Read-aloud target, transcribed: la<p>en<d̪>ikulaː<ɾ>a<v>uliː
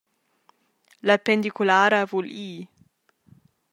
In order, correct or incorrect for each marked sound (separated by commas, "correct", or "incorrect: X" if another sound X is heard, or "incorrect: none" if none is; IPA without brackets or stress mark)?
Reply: correct, correct, correct, correct